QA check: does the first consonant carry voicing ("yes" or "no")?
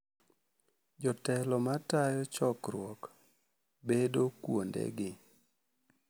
yes